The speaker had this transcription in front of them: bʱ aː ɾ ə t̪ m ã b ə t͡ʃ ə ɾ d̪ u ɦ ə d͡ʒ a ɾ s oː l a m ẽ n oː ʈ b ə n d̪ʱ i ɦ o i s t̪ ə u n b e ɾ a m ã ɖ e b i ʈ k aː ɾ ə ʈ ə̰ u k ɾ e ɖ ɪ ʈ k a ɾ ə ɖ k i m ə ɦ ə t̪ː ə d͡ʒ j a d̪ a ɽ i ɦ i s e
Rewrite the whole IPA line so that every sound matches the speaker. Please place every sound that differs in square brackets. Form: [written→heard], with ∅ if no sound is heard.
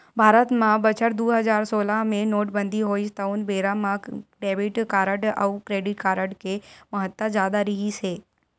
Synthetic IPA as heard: bʱ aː ɾ ə t̪ m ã b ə t͡ʃ ə ɾ d̪ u ɦ ə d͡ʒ a ɾ s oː l a m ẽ n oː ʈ b ə n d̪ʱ i ɦ o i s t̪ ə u n b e ɾ a m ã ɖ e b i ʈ k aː ɾ ə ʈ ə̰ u k ɾ e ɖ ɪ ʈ k a ɾ ə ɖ k [i→e] m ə ɦ ə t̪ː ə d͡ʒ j a d̪ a [ɽ→ɾ] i ɦ i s e

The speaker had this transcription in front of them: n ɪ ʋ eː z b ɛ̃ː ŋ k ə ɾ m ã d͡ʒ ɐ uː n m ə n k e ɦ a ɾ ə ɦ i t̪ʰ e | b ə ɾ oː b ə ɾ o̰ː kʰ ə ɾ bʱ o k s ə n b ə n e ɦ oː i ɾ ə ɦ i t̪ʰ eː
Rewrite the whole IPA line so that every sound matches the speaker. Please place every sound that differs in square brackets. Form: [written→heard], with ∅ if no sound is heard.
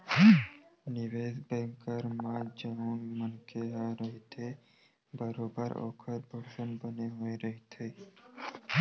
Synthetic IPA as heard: n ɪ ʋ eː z b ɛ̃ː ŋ k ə ɾ m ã d͡ʒ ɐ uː n m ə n k e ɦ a ɾ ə ɦ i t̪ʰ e | b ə ɾ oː b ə ɾ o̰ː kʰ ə ɾ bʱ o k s ə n b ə n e ɦ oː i ɾ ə ɦ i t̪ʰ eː

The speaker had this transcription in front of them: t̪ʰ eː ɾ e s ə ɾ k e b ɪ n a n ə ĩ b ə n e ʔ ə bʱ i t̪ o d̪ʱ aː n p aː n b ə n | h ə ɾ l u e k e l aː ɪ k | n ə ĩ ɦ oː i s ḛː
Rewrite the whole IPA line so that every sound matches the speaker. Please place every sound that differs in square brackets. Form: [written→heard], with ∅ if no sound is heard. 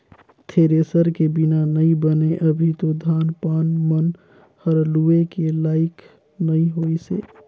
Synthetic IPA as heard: t̪ʰ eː ɾ e s ə ɾ k e b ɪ n a n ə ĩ b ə n e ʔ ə bʱ i t̪ o d̪ʱ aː n p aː n [b→m] ə n | h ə ɾ l u e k e l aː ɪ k | n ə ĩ ɦ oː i s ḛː

